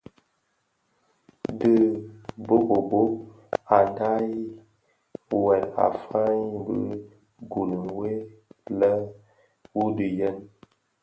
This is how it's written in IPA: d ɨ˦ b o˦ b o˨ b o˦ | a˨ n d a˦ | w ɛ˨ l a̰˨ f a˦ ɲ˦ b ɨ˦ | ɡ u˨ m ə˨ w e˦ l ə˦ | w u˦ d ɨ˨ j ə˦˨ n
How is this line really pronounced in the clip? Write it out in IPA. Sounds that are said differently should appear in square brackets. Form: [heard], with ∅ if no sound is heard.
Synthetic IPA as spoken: d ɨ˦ b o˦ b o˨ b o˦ | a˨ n d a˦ | w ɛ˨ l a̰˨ f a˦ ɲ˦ b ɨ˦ | ɡ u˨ [n] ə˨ w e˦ l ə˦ | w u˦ d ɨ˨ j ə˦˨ n

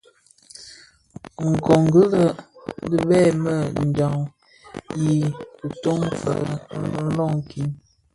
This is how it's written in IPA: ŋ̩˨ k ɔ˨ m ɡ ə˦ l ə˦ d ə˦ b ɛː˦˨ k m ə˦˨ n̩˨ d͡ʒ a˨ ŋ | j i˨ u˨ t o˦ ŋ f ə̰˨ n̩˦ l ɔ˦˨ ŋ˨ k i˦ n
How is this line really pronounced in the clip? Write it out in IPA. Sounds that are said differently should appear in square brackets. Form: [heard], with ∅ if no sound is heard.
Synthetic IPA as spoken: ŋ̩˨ k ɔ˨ [ŋ] ɡ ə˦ l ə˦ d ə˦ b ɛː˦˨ [∅] m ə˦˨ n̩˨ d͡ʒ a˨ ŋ | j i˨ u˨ t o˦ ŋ f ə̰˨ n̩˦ l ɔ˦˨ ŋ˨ k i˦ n

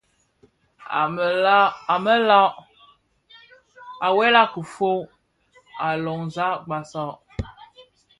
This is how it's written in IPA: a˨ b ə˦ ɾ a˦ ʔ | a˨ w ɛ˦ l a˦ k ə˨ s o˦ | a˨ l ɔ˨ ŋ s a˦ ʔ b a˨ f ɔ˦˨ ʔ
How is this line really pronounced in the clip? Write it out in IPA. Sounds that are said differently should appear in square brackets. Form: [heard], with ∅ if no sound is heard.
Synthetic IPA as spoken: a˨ [m] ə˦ [l] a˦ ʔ | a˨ w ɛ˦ l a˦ k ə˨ [f] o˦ | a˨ l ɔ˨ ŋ [z] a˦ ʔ [ɡ͡b] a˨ [s] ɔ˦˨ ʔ

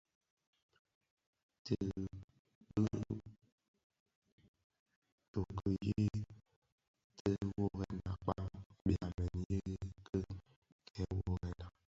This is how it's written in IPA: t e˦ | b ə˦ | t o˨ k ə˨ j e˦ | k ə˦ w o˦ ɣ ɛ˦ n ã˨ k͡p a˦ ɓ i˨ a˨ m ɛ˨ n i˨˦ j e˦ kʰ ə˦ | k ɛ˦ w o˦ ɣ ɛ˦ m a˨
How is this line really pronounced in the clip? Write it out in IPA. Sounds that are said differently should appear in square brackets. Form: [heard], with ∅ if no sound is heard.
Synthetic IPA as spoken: t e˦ | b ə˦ | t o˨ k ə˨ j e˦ | [t] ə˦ w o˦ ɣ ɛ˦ n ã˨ k͡p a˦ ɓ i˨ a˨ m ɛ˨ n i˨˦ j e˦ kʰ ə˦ | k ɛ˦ w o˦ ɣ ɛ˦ [n] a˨

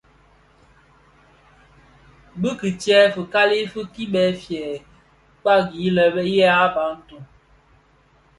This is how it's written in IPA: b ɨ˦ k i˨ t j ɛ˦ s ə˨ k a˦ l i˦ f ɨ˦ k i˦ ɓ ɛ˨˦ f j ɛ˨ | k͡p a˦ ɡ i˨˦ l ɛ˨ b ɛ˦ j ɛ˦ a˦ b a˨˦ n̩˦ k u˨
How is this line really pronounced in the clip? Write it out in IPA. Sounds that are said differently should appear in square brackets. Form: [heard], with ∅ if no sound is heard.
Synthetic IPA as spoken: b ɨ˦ k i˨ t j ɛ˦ [f] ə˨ k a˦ l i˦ f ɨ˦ k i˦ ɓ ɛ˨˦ f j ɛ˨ | k͡p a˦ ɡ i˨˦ l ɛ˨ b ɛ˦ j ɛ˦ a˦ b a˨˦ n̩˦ [t] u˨

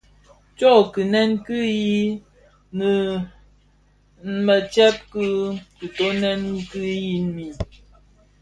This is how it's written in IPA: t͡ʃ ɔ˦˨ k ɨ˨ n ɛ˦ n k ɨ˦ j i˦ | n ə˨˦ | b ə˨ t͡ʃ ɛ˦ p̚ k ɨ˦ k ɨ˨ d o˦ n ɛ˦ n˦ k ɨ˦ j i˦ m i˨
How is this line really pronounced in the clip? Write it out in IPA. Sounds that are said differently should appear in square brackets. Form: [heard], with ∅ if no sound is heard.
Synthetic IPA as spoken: t͡ʃ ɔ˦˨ k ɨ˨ n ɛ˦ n k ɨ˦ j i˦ | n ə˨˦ | [m] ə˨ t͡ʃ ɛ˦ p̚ k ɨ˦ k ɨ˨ [t] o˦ n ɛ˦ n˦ k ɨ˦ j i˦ m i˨

